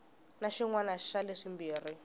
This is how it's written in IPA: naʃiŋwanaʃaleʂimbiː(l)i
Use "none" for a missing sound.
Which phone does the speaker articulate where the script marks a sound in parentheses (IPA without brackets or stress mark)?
r